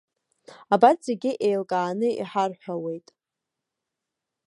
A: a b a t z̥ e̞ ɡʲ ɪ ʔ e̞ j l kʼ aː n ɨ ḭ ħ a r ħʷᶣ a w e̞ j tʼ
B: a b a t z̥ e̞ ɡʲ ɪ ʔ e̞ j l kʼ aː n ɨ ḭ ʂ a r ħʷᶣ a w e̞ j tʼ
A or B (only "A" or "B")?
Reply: A